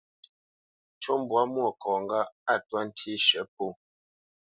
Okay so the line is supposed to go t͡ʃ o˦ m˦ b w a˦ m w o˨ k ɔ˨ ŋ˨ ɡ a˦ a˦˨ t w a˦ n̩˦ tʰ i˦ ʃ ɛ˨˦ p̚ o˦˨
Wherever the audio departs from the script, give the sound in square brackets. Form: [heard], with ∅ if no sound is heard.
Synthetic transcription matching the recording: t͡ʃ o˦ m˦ b w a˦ m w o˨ k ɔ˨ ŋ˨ ɡ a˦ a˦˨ t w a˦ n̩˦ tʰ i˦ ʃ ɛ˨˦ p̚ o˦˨

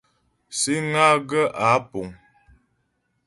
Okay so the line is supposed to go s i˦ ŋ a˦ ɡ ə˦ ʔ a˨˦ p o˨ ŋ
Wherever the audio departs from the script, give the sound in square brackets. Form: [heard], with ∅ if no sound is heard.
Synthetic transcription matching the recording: s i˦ ŋ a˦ ɡ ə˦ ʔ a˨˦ p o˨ ŋ

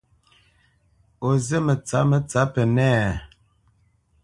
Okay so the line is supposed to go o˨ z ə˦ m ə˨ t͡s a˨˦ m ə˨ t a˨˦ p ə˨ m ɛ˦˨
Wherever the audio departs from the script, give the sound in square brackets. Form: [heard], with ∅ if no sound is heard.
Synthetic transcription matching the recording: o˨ z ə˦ m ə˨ t͡s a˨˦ m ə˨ [t͡s] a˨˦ p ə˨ [n] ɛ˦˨

